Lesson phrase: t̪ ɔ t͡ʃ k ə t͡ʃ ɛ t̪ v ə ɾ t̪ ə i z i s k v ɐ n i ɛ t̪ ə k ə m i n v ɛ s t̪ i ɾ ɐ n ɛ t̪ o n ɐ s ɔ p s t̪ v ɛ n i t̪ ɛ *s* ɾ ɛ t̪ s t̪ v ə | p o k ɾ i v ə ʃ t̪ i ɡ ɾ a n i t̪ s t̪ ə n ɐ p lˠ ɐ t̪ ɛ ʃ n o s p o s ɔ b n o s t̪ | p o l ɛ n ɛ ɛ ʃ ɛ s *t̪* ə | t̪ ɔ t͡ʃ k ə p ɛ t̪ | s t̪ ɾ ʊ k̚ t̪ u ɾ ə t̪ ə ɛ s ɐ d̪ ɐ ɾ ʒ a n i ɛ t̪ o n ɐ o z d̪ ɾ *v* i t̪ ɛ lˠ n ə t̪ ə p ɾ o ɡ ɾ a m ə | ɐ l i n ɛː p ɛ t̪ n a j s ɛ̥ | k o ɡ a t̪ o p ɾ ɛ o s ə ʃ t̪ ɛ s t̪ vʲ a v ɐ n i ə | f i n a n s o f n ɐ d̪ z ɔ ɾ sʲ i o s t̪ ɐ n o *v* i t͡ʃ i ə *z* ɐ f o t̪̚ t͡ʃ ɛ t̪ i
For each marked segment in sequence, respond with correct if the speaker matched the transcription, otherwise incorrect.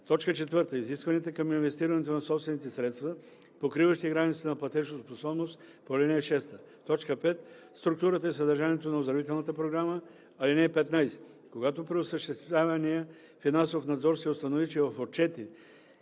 correct, correct, correct, correct, incorrect: v

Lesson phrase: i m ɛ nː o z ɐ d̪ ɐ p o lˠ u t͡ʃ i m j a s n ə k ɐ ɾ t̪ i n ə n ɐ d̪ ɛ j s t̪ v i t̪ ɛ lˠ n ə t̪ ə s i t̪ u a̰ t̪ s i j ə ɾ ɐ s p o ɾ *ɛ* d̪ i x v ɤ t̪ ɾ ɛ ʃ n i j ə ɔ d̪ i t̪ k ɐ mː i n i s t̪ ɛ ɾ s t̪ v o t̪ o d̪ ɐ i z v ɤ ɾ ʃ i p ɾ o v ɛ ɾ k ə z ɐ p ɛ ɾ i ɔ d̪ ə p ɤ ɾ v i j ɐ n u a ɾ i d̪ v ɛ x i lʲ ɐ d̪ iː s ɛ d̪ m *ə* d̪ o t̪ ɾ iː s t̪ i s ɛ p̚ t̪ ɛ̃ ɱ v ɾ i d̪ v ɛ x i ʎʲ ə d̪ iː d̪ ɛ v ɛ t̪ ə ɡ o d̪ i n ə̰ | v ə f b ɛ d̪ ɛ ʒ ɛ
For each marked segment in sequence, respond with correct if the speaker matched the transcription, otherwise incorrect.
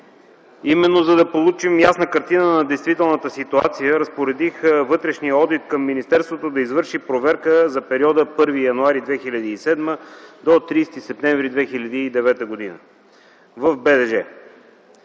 correct, correct

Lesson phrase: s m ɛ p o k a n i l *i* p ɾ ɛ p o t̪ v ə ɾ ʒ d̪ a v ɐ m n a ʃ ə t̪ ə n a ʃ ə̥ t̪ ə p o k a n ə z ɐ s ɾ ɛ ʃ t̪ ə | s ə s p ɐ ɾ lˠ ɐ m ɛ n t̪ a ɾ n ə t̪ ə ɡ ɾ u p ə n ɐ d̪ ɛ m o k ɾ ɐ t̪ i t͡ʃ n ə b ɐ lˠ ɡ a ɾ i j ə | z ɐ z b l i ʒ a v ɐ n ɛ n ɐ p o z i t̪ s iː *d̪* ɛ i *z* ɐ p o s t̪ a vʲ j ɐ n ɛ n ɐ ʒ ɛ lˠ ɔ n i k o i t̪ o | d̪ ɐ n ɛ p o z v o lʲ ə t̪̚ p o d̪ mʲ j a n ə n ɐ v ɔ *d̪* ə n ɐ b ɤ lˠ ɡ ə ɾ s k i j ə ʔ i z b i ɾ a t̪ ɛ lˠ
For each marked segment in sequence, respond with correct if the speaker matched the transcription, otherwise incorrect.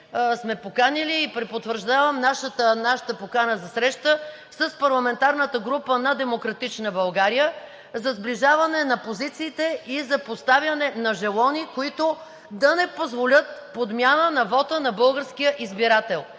incorrect: iː, incorrect: t̪, correct, incorrect: t̪

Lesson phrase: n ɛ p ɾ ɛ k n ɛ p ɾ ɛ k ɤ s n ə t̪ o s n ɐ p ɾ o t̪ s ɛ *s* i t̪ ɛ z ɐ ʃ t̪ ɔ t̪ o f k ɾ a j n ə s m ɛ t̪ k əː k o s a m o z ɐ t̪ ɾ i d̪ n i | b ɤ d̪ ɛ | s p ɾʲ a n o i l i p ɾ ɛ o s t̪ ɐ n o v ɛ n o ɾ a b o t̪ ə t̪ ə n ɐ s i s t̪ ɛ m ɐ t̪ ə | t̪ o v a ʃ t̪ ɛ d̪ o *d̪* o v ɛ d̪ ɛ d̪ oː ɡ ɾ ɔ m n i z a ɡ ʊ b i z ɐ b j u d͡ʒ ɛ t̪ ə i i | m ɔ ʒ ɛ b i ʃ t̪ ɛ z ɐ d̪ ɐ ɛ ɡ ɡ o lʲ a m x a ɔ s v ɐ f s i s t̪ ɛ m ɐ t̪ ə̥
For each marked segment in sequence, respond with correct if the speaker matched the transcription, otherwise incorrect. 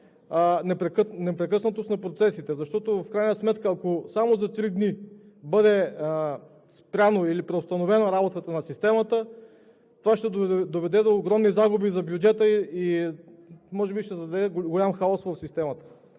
correct, correct

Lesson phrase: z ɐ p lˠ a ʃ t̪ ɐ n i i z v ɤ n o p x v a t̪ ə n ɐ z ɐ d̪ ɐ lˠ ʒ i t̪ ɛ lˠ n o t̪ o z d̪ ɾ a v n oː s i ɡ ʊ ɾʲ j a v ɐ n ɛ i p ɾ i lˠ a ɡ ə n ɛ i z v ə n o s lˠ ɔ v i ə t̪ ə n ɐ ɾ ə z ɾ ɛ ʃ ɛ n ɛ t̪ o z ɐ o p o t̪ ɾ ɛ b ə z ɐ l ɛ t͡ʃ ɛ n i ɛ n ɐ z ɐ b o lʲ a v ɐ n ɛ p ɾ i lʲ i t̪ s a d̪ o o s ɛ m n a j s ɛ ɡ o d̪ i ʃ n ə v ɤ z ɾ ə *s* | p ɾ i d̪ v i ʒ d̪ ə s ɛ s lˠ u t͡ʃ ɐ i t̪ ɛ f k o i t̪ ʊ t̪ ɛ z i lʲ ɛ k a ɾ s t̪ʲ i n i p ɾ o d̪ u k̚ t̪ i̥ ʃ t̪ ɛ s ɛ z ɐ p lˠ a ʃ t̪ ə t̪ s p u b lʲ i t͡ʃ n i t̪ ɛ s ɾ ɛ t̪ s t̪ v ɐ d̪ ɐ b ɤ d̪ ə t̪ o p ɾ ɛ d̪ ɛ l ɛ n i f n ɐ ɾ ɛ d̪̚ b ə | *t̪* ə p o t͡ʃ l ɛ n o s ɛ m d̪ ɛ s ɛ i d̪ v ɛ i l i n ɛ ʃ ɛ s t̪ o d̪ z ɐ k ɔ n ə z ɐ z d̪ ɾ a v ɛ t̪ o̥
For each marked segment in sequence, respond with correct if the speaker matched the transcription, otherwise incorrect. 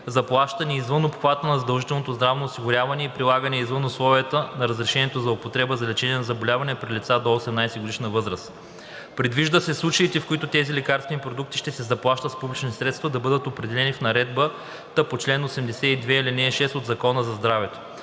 correct, correct

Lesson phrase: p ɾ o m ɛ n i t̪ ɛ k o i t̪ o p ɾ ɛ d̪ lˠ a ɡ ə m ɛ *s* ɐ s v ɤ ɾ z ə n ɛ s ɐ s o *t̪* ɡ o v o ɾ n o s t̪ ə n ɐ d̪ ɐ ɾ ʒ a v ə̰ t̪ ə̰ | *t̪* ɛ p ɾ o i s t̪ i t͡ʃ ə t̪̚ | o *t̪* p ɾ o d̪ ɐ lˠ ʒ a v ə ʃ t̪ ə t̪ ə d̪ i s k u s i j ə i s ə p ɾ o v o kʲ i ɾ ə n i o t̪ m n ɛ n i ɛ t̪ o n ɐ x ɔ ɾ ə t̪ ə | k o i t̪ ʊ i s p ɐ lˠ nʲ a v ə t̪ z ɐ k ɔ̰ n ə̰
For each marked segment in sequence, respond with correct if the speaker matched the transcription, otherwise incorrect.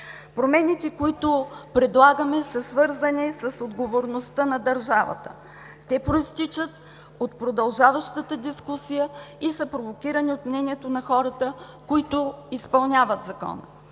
correct, incorrect: d̪, correct, correct

